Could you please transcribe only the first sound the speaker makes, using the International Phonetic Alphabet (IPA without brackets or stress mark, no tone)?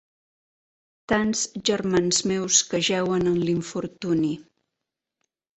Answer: t̪